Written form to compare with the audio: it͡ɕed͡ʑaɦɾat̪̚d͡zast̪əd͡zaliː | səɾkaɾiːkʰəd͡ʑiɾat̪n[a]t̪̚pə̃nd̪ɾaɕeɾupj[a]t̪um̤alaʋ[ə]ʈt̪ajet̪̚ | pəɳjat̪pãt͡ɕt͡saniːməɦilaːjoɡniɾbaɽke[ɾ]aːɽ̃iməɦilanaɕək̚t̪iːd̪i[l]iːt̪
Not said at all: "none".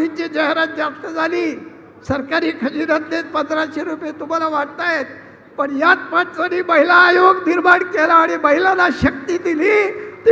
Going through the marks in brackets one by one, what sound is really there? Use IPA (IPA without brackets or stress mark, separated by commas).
e, e, a, l, l